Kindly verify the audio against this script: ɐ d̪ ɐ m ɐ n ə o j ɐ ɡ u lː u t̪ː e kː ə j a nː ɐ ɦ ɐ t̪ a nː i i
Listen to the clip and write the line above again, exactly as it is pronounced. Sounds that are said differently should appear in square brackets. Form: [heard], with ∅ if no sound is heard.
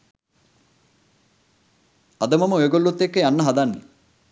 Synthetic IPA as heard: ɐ d̪ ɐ m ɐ [m] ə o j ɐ ɡ [o] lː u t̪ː e kː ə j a nː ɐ ɦ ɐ [d̪] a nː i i